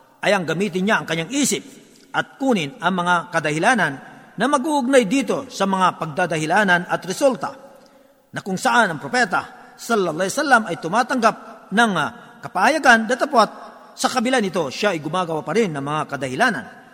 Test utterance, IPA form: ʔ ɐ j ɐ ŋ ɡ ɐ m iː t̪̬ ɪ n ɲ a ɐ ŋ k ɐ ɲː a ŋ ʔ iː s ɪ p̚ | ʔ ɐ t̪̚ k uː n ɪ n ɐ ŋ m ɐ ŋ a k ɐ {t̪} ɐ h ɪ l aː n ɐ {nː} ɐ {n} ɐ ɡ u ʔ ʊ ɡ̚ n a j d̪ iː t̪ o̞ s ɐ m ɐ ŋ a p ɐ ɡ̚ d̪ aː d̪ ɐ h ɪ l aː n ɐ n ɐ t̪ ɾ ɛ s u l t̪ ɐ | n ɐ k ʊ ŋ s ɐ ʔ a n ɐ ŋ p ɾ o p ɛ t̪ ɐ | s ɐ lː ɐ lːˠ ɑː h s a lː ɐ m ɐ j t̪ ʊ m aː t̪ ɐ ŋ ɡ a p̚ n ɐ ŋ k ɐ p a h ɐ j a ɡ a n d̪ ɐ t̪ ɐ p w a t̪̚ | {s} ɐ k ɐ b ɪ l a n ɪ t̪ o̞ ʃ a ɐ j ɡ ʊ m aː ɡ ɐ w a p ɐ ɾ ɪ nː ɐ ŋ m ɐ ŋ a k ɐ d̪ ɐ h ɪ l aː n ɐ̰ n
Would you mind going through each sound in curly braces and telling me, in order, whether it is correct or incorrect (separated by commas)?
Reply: incorrect, correct, incorrect, correct